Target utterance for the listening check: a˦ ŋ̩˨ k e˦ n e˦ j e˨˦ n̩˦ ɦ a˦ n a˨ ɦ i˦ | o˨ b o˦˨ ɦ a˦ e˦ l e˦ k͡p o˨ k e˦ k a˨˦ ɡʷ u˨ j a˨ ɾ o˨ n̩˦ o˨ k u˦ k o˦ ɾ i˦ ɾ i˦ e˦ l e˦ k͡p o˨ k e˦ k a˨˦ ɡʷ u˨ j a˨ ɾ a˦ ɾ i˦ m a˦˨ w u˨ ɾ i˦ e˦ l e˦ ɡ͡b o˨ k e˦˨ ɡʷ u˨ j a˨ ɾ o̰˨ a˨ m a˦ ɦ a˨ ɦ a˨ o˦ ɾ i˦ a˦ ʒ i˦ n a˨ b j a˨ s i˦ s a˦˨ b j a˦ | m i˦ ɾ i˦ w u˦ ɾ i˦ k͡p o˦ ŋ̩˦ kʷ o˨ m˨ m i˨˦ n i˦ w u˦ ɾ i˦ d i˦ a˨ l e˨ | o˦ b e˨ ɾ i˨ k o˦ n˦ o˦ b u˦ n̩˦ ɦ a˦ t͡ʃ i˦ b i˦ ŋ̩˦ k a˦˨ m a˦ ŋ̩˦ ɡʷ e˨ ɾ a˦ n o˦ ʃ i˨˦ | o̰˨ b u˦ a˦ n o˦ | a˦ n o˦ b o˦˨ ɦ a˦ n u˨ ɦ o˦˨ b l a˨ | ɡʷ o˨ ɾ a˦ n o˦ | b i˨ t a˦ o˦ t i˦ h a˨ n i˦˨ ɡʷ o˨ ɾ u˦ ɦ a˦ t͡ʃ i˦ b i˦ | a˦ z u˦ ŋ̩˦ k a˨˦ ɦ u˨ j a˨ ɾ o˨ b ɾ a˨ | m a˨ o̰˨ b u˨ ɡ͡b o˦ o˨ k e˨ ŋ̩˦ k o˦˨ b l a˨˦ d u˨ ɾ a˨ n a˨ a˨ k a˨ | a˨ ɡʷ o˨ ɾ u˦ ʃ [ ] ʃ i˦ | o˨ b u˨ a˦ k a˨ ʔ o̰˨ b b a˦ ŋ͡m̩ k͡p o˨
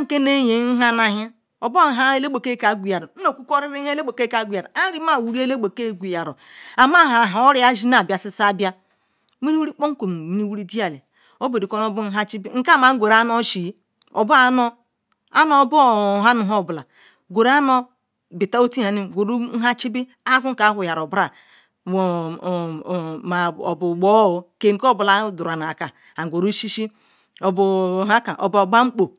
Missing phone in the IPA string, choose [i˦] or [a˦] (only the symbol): i˦